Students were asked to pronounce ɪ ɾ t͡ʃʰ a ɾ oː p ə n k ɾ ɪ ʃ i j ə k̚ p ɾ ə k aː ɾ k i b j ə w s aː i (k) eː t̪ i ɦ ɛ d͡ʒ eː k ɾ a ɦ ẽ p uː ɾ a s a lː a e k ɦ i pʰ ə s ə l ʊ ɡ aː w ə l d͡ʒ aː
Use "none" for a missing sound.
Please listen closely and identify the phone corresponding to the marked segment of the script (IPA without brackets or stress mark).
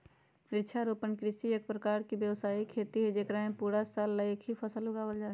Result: kʰ